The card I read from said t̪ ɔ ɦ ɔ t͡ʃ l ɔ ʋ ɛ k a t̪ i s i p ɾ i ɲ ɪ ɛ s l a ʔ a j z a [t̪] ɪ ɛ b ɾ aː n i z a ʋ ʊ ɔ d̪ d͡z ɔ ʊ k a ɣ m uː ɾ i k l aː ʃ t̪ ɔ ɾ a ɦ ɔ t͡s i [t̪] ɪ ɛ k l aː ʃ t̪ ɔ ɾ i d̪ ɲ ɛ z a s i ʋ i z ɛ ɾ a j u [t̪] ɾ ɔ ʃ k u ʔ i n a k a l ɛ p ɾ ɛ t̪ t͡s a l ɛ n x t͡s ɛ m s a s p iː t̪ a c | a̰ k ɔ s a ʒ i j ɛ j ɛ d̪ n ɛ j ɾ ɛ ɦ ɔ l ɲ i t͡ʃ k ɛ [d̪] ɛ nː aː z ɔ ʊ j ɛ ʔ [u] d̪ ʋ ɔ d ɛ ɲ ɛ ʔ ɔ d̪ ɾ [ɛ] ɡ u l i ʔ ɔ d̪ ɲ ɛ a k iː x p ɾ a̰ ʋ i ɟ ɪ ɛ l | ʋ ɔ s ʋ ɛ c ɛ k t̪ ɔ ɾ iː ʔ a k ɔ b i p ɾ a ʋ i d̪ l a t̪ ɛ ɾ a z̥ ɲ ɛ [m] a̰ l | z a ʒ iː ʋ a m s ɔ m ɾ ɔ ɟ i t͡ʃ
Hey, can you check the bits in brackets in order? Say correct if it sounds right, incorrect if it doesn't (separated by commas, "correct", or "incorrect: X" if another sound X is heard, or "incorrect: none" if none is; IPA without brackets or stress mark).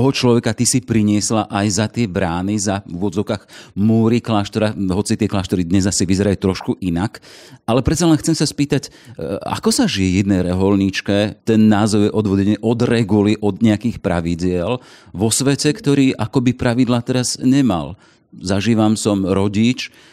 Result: correct, correct, correct, incorrect: t̪, incorrect: ɔ, correct, correct